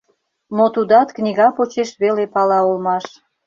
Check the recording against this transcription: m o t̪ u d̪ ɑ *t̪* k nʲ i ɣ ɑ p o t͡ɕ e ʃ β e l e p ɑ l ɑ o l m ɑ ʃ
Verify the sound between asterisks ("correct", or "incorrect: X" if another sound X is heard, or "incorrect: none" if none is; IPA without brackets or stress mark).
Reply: correct